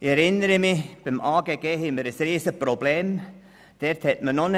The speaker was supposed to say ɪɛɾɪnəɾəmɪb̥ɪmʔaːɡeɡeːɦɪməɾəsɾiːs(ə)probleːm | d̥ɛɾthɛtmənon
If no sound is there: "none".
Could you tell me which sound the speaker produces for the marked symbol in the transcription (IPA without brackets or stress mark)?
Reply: ə